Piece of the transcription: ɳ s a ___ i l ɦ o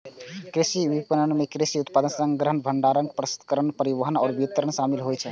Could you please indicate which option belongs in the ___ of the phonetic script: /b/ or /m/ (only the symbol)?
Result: m